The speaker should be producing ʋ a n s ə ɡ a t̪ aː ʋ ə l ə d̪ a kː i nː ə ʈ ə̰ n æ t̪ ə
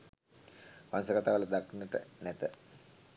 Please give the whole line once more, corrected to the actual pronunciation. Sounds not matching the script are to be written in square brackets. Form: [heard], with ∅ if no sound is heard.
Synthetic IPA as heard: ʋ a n s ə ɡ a t̪ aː ʋ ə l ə d̪ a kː i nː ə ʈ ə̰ n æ t̪ ə